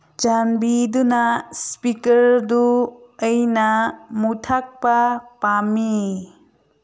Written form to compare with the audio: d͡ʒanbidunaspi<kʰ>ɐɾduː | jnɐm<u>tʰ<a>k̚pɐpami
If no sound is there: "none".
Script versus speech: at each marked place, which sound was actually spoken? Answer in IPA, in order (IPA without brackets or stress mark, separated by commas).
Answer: k, u, a